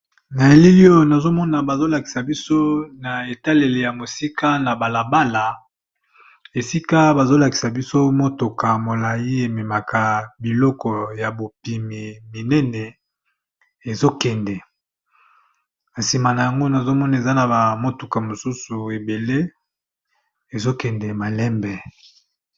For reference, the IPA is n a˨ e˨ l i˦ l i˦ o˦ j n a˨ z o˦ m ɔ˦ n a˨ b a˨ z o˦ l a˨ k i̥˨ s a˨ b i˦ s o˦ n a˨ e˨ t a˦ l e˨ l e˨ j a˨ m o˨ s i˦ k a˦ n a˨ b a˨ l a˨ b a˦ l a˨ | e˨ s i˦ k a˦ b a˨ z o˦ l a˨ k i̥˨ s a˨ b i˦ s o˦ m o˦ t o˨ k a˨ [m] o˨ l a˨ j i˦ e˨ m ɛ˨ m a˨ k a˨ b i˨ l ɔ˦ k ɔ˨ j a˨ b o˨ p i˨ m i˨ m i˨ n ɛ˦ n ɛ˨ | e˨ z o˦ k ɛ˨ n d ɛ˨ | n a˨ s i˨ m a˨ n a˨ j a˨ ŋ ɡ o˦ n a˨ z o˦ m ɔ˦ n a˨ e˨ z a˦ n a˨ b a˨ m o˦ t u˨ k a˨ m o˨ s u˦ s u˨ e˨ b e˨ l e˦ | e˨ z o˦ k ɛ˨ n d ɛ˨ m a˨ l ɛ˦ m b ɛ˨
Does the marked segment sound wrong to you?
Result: no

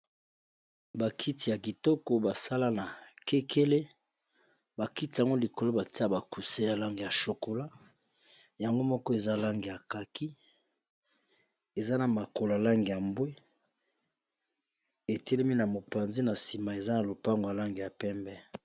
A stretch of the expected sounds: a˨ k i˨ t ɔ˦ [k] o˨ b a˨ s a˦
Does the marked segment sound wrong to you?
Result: no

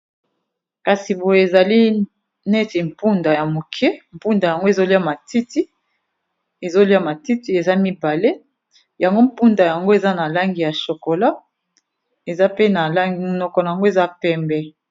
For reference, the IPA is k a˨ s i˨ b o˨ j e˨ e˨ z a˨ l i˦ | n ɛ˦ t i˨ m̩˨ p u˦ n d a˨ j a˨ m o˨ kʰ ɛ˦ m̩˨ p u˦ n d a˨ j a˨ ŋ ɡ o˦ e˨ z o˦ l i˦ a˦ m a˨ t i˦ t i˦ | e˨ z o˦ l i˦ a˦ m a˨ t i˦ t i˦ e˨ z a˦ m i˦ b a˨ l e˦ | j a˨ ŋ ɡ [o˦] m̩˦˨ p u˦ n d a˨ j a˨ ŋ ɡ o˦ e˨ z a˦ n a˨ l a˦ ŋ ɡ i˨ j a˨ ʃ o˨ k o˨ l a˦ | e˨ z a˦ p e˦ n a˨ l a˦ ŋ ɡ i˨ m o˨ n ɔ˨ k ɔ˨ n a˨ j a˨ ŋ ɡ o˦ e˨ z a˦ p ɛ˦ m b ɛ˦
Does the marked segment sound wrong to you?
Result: no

